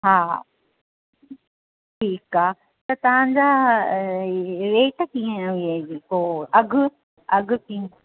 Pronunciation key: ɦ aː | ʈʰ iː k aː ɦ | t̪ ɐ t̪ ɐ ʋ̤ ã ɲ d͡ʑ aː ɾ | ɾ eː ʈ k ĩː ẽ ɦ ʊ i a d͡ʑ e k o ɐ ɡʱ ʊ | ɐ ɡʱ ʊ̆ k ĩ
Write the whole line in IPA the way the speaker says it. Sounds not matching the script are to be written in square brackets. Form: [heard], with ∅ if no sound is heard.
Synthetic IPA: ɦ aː | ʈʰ iː k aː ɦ | t̪ ɐ t̪ ɐ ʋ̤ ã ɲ d͡ʑ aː [∅] | ɾ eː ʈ k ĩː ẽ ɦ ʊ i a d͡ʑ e k o ɐ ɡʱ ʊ | ɐ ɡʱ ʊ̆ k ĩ

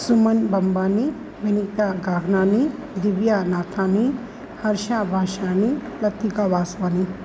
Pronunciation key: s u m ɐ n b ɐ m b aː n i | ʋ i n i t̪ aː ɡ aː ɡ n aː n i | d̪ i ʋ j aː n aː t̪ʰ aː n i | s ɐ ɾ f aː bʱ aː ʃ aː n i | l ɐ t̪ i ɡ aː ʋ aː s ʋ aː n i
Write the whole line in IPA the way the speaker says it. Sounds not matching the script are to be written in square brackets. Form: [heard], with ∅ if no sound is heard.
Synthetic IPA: s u m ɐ n b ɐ m b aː n i | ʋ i n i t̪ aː ɡ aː ɡ n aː n i | d̪ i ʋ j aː n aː t̪ʰ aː n i | [h] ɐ ɾ [ʃ] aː bʱ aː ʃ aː n i | l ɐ t̪ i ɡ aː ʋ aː s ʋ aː n i

